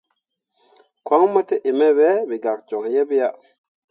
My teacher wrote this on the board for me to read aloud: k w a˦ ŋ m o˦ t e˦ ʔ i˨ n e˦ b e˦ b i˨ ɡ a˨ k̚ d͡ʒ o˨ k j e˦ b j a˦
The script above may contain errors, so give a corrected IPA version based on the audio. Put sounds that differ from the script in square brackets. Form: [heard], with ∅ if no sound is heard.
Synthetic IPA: k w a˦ ŋ m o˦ t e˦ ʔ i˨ [m] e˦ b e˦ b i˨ ɡ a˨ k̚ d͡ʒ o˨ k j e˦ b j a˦